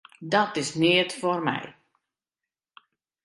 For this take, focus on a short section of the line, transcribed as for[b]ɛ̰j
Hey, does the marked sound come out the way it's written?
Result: no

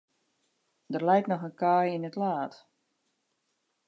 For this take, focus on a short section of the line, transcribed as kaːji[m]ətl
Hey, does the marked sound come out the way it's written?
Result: no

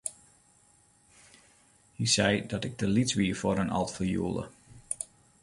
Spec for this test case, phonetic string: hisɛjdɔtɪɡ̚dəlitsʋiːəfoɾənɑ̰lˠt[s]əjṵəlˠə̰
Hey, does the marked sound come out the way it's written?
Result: no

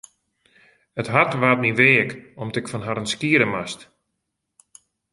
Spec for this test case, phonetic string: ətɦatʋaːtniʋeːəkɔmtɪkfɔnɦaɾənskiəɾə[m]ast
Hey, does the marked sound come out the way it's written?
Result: yes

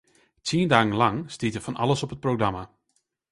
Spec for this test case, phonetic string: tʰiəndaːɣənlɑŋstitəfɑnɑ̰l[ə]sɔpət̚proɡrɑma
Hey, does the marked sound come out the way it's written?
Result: yes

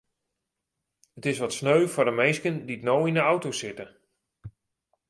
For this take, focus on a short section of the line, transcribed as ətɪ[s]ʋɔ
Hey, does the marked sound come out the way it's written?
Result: yes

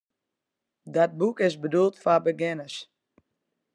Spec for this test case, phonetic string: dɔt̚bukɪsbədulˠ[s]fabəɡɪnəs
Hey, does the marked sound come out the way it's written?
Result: no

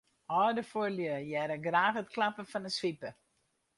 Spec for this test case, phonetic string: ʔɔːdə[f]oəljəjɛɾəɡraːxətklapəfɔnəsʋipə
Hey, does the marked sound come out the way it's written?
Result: yes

